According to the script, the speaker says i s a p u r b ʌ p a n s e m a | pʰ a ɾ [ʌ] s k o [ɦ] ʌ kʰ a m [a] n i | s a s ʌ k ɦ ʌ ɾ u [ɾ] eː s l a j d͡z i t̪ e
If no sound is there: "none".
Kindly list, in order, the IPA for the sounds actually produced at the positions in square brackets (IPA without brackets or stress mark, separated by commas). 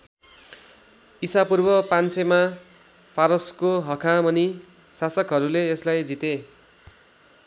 ʌ, ɦ, ʌ, l